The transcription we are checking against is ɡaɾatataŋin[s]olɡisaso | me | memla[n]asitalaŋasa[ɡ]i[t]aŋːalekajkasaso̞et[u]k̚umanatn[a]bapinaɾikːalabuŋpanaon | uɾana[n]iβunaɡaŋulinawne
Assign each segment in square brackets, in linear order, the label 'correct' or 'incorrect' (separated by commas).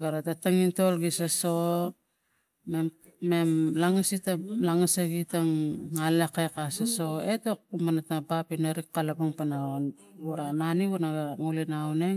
incorrect, incorrect, correct, correct, incorrect, correct, correct